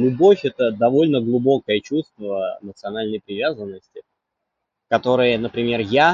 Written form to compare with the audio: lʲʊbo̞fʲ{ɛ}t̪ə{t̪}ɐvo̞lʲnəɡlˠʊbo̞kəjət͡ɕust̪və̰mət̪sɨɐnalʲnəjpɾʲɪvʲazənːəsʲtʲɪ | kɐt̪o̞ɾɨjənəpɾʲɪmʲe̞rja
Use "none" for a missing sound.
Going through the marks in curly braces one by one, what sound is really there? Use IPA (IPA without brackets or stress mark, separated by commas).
ɛ, d̪